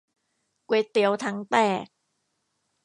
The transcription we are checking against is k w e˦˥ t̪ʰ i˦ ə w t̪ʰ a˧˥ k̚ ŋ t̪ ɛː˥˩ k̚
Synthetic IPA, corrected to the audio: k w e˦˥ t̪ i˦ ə w t̪ʰ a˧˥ ŋ t̪ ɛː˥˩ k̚